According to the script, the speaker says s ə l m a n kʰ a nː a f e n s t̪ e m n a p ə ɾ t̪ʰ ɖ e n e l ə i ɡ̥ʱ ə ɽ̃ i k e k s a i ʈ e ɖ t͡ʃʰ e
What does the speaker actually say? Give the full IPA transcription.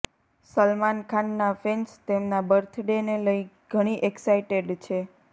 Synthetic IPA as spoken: s ə l m a n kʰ a nː a f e n s t̪ e m n a b ə ɾ t̪ʰ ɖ e n e l ə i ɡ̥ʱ ə ɽ̃ i ʔ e k s a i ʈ e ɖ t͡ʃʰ e